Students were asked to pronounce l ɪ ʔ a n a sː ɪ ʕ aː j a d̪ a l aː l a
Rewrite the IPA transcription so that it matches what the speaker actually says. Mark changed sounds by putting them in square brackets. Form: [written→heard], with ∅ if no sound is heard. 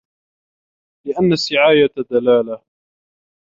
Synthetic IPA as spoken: l ɪ ʔ a [n→nː] a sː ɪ ʕ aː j a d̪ a l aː l a